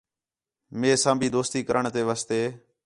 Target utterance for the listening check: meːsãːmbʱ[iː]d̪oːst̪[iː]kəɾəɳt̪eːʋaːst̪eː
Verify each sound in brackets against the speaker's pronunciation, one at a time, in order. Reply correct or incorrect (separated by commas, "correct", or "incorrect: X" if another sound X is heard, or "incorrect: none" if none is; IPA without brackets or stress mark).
correct, correct